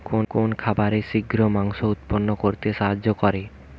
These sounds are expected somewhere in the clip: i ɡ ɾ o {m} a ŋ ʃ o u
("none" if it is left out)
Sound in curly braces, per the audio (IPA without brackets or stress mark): m